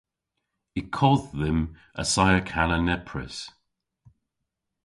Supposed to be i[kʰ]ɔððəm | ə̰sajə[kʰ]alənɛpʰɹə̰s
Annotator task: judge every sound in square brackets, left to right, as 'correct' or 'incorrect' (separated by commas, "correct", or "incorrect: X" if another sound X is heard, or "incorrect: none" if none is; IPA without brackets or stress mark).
correct, correct